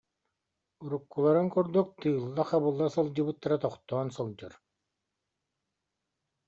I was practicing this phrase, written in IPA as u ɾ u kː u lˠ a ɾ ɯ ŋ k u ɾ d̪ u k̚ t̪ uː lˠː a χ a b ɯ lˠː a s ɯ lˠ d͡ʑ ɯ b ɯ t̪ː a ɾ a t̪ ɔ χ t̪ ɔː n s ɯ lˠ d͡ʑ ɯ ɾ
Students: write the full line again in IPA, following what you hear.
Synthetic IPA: u ɾ u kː u lˠ a ɾ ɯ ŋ k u ɾ d̪ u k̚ t̪ ɯː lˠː a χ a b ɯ lˠː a s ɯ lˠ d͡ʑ ɯ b ɯ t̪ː a ɾ a t̪ ɔ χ t̪ ɔː n s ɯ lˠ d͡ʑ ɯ ɾ

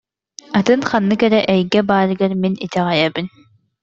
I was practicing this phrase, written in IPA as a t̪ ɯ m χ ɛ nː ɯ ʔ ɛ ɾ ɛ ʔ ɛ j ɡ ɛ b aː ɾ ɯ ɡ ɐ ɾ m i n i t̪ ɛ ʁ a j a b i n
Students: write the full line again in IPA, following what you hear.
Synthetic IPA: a t̪ ɯ n χ a nː ɯ k ɛ ɾ ɛ ʔ ɛ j ɡ ɛ b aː ɾ ɯ ɡ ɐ ɾ m i n i t̪ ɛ ʁ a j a b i n

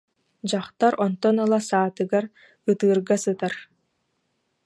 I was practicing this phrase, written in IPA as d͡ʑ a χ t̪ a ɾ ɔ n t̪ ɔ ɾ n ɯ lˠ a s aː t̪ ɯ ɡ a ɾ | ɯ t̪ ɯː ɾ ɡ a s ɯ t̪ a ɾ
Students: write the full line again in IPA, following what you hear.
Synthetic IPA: d͡ʑ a χ t̪ a ɾ ɔ n t̪ ɔ n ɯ lˠ a s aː t̪ ɯ ɡ a ɾ | ɯ t̪ ɯː ɾ ɡ a s ɯ t̪ a ɾ

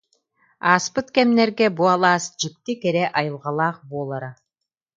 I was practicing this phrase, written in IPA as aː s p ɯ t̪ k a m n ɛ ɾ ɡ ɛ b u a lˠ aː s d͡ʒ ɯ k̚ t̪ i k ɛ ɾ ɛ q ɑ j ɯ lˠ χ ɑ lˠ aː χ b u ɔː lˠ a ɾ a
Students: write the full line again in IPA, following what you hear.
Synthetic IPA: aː s p ɯ t̪ k ɛ m n ɛ ɾ ɡ ɛ b u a lˠ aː s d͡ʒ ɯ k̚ t̪ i k ɛ ɾ ɛ ʔ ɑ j ɯ lˠ ʁ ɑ lˠ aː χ b u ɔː lˠ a ɾ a

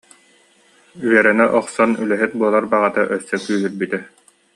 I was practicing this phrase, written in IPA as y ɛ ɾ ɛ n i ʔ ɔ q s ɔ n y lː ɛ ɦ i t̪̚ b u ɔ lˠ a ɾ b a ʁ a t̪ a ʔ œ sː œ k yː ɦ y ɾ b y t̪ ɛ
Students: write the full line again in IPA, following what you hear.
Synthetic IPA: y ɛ ɾ ɛ n ɛ ʔ ɔ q s ɔ n y l ɛ ɦ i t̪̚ b u ɔ lˠ a ɾ b a ʁ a t̪ a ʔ œ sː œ k yː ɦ y ɾ b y t̪ ɛ

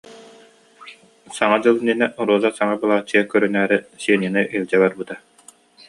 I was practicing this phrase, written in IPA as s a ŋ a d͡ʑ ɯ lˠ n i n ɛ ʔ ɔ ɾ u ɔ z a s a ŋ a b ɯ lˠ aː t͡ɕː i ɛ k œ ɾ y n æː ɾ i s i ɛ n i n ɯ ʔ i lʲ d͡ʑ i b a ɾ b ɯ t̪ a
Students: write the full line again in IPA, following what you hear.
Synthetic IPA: s a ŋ a d͡ʑ ɯ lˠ n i n ɛ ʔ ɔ ɾ u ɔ z a s a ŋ a b ɯ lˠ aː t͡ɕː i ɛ k œ ɾ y n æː ɾ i s i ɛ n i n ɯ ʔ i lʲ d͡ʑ ɛ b a ɾ b ɯ t̪ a

